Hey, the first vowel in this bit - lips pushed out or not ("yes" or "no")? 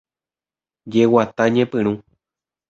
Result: no